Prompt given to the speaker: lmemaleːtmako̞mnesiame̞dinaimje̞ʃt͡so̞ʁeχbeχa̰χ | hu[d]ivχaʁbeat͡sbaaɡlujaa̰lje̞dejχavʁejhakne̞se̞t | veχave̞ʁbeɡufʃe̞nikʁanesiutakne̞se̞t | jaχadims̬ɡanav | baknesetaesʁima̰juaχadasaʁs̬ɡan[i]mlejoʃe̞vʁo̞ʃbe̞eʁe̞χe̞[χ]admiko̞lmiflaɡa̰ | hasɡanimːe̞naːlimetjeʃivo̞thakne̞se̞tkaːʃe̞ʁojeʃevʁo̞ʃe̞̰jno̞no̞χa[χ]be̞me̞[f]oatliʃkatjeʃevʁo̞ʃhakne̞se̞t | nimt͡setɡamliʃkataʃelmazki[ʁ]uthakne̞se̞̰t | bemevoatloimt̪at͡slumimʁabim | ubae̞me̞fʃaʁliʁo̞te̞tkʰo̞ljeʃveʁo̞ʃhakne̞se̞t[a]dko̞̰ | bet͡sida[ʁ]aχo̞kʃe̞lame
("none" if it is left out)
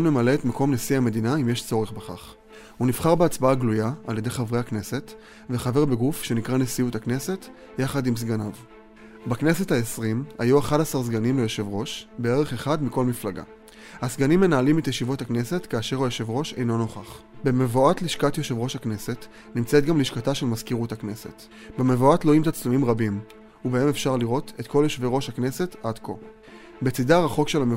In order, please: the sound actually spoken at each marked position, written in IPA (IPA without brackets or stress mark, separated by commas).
n, i, χ, χ, v, ʁ, a, ʁ